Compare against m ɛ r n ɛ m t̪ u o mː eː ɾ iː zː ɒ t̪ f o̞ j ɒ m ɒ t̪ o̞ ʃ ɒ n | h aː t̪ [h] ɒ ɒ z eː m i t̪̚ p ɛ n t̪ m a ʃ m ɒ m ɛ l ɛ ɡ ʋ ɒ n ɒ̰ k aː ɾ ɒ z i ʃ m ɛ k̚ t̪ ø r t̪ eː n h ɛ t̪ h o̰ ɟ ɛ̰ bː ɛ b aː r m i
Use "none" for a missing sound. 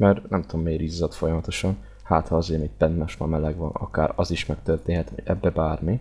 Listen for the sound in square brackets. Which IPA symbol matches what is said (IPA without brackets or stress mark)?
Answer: h